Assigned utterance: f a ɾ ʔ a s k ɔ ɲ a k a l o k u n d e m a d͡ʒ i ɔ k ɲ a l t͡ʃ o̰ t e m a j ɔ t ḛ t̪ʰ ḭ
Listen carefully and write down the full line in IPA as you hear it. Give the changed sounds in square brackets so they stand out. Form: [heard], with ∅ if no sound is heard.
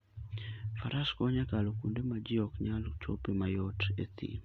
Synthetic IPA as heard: f a ɾ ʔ a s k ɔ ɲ a k a l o k u n d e m a d͡ʒ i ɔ k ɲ a l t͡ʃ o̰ [p] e m a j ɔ t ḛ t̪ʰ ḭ